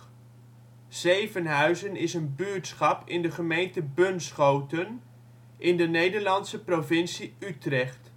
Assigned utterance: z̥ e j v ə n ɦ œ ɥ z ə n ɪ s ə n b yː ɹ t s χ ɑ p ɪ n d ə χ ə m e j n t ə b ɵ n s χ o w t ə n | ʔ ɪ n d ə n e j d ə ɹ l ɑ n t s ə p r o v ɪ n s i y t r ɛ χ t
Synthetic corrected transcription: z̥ e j v ə n ɦ œ ɥ z ə n ɪ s ə n b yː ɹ t s χ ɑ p ɪ n d ə χ ə m e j n t ə b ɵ n s χ o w t ə n | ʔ ɪ n d ə n e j d ə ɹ l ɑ n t s ə p r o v ɪ n s i y t r ɛ χ t